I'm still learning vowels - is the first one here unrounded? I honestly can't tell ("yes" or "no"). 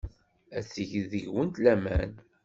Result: yes